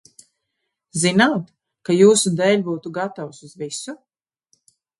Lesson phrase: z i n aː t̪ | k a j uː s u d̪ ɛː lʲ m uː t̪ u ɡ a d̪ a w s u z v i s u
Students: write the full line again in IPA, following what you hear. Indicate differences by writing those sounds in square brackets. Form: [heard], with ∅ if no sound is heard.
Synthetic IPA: z i n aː t̪ | k a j uː s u d̪ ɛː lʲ [b] uː t̪ u ɡ a [t̪] a w s u z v i s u